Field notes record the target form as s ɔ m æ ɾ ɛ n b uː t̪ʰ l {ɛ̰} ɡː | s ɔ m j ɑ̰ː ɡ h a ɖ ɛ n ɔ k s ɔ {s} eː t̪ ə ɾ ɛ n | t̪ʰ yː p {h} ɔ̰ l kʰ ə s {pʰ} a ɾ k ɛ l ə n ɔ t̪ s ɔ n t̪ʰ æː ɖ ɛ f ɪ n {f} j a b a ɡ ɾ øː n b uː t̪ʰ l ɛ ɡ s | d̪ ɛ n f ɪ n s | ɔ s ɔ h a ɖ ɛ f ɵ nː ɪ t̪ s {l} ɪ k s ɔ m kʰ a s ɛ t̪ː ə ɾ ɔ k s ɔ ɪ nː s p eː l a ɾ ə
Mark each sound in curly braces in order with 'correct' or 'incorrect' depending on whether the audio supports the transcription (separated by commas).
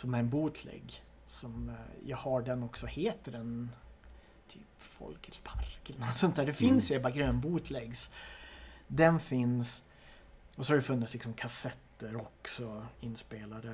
correct, incorrect, incorrect, correct, incorrect, correct